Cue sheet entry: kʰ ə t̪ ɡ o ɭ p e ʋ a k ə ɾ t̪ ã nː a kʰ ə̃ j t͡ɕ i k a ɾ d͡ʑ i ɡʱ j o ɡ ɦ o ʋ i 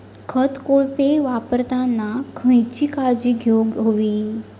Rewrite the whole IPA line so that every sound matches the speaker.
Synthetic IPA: kʰ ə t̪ k o ɭ p e ʋ a p ə ɾ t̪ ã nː a kʰ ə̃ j t͡ɕ i k a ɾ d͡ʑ i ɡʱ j o ɡ ɦ o ʋ i

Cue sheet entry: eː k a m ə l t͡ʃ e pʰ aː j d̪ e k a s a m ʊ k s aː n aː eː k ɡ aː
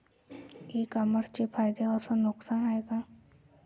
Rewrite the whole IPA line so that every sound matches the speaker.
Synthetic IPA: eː k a m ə ɾ t͡ʃ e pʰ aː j d̪ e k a s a n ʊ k s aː n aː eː ɡ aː

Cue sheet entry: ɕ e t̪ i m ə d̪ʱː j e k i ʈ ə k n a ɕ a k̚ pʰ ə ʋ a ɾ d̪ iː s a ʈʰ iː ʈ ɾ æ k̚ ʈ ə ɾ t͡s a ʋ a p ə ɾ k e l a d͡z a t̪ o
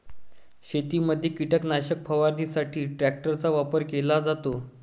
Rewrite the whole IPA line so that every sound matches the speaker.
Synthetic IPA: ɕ e t̪ i m ə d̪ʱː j e k i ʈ ə k n a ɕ ə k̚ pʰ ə ʋ a ɾ d̪ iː s a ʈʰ iː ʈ ɾ æ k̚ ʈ ə ɾ t͡s a ʋ a p ə ɾ k e l a d͡z a t̪ o

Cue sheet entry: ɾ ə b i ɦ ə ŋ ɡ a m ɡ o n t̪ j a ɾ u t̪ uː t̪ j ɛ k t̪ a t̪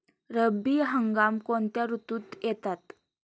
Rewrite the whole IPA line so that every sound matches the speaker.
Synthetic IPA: ɾ ə b i ɦ ə ŋ ɡ a m k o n t̪ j a ɾ u t̪ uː t̪ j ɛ t̪ a t̪

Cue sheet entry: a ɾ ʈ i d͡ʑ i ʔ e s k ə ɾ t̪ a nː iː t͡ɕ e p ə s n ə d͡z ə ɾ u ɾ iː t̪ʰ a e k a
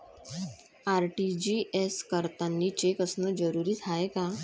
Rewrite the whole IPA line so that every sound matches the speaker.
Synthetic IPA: a ɾ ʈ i d͡ʑ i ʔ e s k ə ɾ t̪ a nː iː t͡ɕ e k ə s n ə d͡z ə ɾ u ɾ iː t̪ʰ a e k a

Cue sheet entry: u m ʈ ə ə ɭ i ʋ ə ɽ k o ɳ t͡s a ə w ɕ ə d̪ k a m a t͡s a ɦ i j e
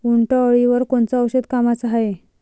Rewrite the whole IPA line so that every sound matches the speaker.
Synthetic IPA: u ɳ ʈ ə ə ɭ i ʋ ə ɾ k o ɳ t͡s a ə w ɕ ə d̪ k a m a t͡s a ɦ a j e

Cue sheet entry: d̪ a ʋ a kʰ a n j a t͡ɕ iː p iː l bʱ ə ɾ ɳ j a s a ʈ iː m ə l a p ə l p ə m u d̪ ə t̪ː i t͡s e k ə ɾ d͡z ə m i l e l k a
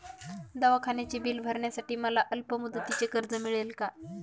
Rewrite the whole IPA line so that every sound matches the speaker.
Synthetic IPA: d̪ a ʋ a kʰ a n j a t͡ɕ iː b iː l bʱ ə ɾ ɳ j a s a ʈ iː m ə l a ʔ ə l p ə m u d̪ ə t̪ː i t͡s e k ə ɾ d͡z ə m i ɭ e l k a

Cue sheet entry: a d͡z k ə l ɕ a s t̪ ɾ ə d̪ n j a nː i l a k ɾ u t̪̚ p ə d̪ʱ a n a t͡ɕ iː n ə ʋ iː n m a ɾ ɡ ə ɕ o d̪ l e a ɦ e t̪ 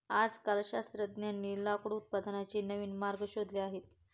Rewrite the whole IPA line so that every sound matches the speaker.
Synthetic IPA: a d͡z k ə l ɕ a s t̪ ɾ ə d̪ n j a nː i l a k ɽ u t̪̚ p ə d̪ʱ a n a t͡ɕ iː n ə ʋ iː n m a ɾ ɡ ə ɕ o d̪ l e a ɦ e t̪

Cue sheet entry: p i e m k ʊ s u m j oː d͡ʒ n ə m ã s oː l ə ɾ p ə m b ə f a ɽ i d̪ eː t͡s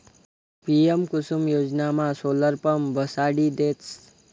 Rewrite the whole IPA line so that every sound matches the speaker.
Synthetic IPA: p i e m k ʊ s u m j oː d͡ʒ n a m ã s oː l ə ɾ p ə m b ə s a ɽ i d̪ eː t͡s

